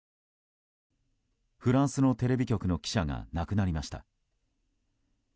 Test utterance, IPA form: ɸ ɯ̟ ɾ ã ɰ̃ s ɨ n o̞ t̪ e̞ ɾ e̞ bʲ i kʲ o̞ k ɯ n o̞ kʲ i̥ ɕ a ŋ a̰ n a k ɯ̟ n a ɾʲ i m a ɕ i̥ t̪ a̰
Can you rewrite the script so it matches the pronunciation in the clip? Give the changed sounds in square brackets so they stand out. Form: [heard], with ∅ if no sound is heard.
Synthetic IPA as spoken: ɸ ɯ̟ ɾ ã ɰ̃ s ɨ n o̞ t̪ e̞ ɾ e̞ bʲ i kʲ o̞ k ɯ n o̞ kʲ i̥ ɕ a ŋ a̰ n a k ɯ̟ n a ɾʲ i m a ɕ i̥ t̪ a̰